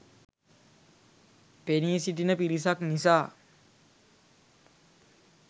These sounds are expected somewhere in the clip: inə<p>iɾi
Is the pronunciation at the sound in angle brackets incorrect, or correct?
correct